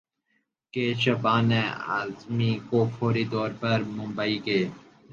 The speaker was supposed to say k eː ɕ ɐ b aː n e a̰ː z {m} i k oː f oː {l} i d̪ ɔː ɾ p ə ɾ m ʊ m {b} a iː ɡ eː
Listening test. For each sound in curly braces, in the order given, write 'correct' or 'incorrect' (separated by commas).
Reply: correct, incorrect, correct